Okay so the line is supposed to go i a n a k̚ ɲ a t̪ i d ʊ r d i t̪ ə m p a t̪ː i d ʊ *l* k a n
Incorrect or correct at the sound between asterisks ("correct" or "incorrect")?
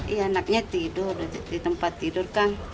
incorrect